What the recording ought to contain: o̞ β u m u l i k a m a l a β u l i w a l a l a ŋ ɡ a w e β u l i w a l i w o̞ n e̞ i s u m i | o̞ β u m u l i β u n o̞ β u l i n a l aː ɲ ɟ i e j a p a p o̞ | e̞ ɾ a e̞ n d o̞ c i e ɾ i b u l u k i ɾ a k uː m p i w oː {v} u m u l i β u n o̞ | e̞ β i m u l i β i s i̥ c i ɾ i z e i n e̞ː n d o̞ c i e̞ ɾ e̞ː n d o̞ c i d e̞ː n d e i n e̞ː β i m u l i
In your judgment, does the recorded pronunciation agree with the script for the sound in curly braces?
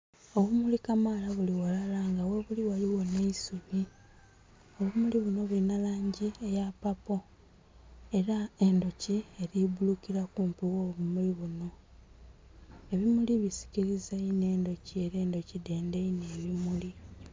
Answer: no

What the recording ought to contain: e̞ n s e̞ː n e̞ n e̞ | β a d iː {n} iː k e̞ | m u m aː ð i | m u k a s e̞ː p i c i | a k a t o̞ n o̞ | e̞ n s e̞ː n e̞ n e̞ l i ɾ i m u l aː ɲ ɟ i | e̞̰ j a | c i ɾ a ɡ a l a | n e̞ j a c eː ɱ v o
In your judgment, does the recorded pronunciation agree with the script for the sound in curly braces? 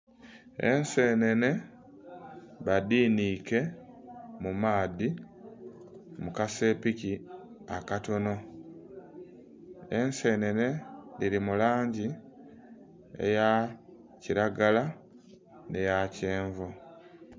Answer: yes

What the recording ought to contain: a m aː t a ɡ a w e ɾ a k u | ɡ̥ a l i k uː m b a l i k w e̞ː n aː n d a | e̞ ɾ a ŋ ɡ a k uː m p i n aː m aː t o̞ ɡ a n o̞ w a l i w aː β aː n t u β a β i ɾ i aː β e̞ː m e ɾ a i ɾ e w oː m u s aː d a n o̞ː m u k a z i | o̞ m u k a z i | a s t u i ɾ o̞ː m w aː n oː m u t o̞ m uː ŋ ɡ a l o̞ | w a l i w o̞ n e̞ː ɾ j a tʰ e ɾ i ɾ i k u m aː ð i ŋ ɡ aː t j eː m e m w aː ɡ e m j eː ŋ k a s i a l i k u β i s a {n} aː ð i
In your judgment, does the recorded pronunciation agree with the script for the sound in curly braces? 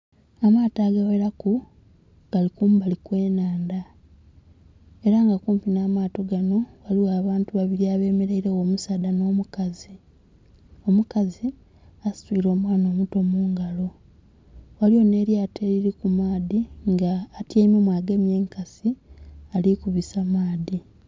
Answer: no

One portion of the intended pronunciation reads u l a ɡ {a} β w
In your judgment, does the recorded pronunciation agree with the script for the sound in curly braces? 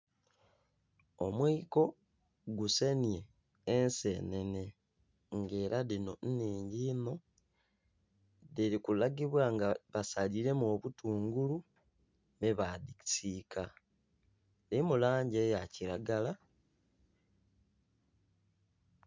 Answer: no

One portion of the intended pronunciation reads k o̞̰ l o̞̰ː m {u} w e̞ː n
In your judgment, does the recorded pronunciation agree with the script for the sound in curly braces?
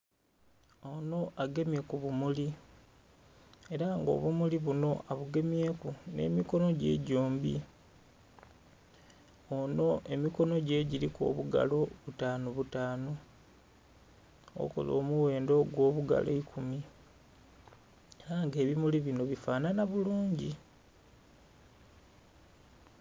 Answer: yes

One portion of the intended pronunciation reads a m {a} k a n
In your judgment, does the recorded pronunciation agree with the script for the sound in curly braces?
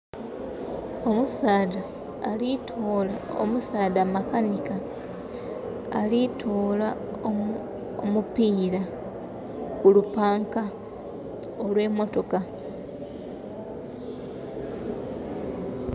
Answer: yes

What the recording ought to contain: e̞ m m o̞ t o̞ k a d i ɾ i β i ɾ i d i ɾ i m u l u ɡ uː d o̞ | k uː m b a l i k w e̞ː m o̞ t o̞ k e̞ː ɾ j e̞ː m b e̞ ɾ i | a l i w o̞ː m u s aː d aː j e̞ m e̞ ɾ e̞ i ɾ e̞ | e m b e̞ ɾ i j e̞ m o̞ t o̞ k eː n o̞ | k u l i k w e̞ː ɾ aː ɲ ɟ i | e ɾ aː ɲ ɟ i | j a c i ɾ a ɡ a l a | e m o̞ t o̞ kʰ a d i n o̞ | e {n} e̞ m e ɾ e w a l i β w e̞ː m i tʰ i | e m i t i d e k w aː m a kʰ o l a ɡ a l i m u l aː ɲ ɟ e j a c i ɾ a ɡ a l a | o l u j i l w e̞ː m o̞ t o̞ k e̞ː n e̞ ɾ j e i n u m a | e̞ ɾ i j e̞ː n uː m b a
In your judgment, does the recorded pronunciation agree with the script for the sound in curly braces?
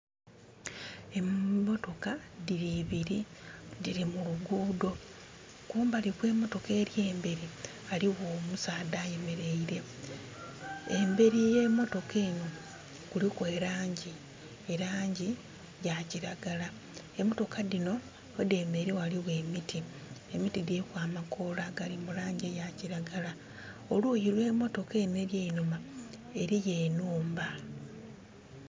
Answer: no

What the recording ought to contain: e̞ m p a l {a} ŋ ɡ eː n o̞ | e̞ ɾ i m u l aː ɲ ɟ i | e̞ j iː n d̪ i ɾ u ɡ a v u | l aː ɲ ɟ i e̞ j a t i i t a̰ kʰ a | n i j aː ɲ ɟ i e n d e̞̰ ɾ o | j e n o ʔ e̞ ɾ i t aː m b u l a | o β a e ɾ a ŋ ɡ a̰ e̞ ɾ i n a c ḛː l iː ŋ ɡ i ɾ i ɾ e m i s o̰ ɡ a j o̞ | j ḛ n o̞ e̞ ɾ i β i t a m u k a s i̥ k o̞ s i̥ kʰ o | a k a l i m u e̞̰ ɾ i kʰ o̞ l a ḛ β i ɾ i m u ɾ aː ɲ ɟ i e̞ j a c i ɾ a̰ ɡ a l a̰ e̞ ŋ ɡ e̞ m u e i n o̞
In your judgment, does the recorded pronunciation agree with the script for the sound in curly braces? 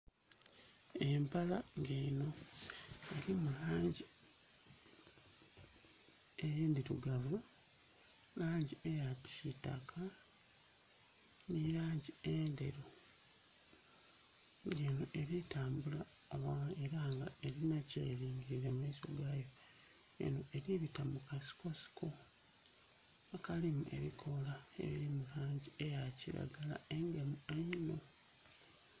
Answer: yes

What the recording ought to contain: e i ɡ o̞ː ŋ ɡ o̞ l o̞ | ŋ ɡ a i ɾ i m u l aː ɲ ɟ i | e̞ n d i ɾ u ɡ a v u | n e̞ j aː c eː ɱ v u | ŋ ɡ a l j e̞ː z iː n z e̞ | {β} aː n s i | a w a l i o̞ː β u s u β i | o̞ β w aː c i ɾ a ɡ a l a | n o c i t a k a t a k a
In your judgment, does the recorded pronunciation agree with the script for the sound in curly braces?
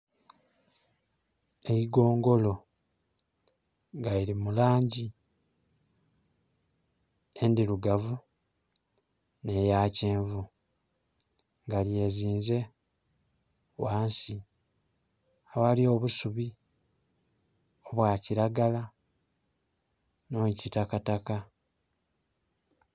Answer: no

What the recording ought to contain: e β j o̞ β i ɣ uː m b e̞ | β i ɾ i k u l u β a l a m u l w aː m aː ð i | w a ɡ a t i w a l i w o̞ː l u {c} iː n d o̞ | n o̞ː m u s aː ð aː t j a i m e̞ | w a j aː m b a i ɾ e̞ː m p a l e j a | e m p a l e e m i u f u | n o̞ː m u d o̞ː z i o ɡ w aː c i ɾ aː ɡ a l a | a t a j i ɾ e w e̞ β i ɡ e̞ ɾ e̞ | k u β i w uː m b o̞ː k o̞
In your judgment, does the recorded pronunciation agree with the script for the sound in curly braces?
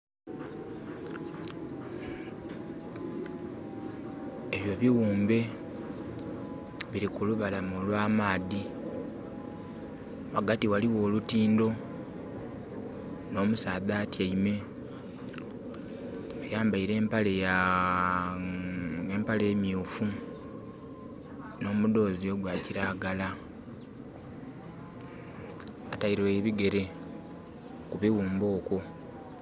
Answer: no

